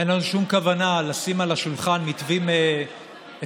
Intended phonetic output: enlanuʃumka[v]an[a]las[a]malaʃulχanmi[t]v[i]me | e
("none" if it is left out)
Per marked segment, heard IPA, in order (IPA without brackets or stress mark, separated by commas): v, a, i, t, i